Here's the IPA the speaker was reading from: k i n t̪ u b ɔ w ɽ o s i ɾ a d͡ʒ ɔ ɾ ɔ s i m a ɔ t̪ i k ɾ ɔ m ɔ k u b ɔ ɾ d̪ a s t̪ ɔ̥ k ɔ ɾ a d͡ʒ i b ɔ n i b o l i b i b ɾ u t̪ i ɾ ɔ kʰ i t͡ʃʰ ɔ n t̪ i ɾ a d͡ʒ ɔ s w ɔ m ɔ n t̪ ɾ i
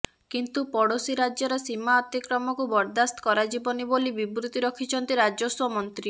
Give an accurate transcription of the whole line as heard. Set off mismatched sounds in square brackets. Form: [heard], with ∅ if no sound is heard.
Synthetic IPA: k i n t̪ u [p] ɔ [∅] ɽ o s i ɾ a d͡ʒ ɔ ɾ ɔ s i m a ɔ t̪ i k ɾ ɔ m ɔ k u b ɔ ɾ d̪ a s t̪ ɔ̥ k ɔ ɾ a d͡ʒ i b ɔ n i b o l i b i b ɾ u t̪ i ɾ ɔ kʰ i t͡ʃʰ ɔ n t̪ i ɾ a d͡ʒ ɔ s w ɔ m ɔ n t̪ ɾ i